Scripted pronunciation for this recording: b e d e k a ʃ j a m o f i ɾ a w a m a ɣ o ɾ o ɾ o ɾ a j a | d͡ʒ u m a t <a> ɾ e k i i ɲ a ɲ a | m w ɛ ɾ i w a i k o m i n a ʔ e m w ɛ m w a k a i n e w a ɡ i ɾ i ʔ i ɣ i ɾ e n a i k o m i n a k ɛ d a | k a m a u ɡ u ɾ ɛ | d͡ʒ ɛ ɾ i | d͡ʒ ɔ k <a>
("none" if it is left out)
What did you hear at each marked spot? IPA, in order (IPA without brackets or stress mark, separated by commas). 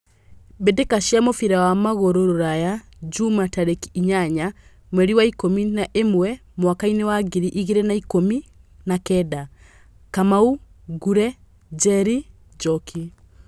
a, i